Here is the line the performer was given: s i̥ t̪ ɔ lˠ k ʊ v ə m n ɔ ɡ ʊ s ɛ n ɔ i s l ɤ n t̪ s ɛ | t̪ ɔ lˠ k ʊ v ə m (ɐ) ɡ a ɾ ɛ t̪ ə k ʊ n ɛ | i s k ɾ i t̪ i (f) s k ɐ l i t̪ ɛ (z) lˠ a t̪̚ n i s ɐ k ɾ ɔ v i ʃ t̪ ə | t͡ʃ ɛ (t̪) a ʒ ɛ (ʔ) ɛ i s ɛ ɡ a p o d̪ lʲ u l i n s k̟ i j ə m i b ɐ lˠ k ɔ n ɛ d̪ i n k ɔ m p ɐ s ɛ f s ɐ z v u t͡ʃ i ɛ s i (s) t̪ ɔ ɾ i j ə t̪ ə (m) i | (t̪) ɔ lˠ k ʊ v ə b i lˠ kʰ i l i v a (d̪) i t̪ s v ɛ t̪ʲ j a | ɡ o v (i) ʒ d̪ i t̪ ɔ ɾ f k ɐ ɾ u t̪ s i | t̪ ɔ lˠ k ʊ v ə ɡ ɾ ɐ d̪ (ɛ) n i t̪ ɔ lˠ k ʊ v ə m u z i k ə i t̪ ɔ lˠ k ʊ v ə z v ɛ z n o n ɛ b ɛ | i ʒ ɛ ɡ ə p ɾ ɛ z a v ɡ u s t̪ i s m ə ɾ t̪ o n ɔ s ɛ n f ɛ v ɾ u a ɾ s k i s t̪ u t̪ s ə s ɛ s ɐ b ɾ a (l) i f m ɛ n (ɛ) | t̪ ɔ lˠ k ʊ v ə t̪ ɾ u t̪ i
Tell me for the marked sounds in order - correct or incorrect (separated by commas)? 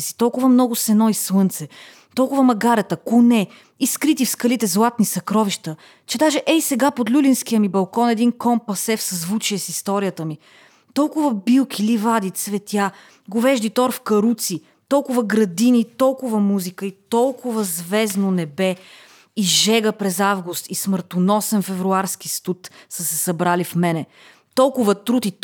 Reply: correct, correct, correct, incorrect, correct, correct, correct, correct, correct, incorrect, incorrect, correct, correct